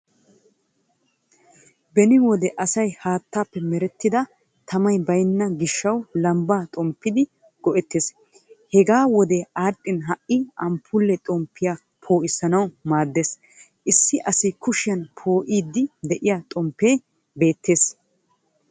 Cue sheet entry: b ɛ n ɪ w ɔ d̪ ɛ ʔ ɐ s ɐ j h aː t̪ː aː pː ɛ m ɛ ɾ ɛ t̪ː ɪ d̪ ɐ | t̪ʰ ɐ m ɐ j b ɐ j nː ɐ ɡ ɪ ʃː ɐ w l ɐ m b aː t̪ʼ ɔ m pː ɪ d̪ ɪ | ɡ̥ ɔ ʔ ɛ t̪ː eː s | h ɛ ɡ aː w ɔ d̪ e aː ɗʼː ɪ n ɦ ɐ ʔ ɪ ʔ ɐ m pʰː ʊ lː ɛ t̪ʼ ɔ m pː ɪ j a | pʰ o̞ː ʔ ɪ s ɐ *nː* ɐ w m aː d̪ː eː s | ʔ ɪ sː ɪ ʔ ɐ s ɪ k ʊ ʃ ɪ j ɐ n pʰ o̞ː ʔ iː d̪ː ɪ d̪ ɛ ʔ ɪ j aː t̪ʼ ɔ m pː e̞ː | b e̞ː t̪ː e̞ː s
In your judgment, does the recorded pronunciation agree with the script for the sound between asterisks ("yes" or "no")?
no